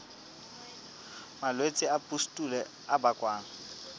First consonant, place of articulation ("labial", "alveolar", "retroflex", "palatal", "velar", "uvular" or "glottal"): labial